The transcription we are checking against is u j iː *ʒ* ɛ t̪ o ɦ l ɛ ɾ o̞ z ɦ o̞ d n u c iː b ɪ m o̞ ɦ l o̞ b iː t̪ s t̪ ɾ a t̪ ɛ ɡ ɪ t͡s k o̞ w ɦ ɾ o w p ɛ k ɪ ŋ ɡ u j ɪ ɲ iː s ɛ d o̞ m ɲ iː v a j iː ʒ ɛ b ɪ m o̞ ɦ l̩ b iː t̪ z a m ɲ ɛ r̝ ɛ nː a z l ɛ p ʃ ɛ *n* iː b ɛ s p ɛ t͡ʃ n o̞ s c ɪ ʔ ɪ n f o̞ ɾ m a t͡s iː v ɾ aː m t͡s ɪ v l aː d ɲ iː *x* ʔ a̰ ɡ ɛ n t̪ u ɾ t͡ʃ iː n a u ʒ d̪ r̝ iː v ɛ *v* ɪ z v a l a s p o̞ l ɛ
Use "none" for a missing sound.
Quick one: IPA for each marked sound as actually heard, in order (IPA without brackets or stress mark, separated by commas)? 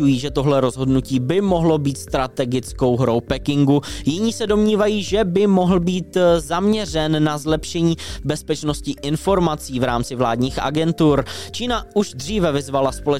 ʒ, ɲ, x, v